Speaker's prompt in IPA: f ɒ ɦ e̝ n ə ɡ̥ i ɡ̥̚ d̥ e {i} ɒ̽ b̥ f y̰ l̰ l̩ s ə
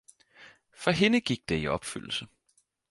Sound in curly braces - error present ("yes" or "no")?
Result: no